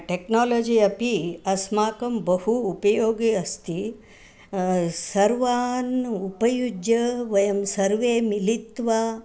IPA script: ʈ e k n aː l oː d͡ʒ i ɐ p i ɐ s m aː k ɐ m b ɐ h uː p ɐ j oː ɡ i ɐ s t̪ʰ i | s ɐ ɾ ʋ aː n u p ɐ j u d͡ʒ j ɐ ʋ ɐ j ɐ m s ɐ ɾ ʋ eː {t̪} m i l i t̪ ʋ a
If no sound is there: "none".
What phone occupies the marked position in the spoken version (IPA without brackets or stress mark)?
none